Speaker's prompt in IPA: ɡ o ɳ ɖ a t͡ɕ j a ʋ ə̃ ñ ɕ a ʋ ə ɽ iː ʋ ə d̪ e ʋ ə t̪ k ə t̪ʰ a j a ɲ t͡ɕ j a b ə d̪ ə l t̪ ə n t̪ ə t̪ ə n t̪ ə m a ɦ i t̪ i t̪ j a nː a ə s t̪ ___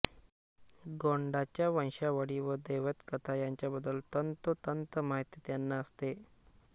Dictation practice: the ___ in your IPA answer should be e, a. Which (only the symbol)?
e